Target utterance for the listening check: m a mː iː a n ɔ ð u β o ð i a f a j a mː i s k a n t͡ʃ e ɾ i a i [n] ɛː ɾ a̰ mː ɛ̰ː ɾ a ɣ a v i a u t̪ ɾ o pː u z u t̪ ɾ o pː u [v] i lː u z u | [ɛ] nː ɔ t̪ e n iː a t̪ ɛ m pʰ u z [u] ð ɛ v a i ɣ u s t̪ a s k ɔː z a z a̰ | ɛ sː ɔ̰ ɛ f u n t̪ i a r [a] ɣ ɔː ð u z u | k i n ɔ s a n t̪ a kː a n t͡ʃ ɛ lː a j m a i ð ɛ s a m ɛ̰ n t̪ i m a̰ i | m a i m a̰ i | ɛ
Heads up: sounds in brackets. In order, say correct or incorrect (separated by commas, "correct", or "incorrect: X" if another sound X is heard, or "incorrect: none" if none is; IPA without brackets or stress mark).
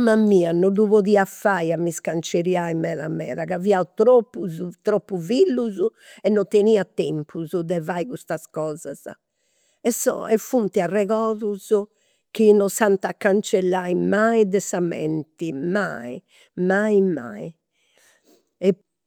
incorrect: m, correct, correct, correct, incorrect: ɛ